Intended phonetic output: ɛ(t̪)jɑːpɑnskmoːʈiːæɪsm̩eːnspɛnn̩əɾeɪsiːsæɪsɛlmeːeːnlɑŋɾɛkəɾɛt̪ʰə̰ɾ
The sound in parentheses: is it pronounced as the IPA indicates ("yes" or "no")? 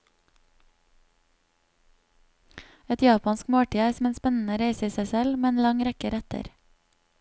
yes